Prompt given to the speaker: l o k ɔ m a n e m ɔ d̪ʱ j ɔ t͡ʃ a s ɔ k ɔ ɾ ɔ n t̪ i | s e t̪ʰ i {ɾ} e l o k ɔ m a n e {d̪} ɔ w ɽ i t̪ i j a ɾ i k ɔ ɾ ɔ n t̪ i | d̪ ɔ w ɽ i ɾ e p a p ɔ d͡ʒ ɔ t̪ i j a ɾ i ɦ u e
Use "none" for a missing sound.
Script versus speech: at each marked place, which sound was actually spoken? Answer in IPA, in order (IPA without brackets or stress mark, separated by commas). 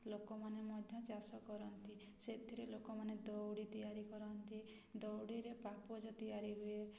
ɾ, d̪